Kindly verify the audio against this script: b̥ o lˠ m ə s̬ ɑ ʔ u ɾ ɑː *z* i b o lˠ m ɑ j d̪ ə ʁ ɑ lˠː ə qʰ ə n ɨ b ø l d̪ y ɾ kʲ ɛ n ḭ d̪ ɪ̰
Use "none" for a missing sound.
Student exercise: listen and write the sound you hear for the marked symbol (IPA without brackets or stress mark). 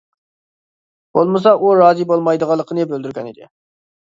z